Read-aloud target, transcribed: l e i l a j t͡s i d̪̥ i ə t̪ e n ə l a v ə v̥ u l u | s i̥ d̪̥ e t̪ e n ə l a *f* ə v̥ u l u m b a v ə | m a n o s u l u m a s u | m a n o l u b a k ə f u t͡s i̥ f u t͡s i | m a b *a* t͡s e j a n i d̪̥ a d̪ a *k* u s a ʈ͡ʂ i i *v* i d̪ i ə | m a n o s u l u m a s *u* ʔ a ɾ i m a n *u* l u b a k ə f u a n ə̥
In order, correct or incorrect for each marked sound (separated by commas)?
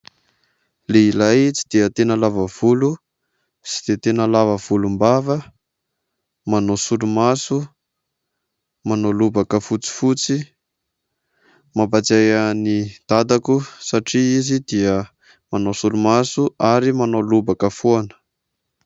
incorrect, correct, correct, incorrect, correct, incorrect